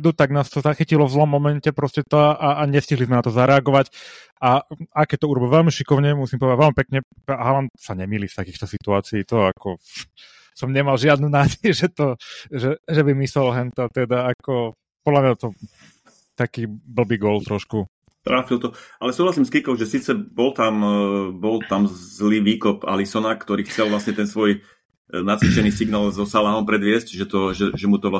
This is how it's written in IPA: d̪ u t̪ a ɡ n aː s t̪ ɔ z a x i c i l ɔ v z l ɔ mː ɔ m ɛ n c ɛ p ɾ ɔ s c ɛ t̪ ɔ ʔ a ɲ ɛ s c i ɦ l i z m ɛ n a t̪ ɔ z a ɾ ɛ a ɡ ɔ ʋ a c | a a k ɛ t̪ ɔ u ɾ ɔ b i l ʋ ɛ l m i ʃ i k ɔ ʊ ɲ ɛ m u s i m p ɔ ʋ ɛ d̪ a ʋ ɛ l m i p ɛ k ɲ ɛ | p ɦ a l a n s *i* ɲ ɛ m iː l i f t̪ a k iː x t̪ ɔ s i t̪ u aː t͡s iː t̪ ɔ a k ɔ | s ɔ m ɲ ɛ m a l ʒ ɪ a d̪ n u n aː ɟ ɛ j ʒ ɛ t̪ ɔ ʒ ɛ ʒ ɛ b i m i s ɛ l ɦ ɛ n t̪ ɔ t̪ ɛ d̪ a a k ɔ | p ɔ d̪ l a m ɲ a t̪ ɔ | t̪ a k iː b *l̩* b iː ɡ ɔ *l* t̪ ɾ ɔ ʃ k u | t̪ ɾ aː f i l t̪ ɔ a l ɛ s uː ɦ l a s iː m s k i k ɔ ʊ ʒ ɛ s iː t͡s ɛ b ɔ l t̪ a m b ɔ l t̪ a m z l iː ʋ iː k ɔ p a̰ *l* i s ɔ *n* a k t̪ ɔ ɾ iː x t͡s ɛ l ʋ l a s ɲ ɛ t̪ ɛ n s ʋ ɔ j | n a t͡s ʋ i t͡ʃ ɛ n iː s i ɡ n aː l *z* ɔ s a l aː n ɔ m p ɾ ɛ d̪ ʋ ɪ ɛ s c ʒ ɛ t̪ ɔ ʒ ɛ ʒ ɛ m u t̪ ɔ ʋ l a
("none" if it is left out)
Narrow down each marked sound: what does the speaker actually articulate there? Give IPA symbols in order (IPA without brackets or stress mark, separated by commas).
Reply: a, l̩, l, l, n, z